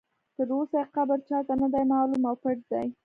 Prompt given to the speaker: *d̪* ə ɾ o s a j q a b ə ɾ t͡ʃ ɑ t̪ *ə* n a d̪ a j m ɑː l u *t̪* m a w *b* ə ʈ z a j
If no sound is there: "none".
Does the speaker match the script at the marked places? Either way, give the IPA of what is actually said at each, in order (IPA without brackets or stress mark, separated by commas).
t̪, a, none, p